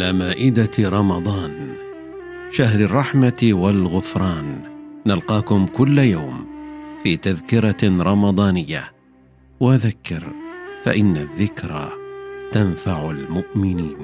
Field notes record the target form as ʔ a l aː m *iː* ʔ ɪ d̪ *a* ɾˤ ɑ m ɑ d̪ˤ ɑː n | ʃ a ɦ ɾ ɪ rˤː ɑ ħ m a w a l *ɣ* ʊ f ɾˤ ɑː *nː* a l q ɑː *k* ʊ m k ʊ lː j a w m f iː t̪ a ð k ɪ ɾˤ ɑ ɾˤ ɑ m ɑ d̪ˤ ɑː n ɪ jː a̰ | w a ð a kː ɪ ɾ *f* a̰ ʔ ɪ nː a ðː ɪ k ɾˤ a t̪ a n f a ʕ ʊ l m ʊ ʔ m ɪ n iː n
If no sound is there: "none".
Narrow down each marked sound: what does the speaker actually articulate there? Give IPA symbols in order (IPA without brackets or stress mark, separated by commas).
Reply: aː, a, ɣ, nː, k, f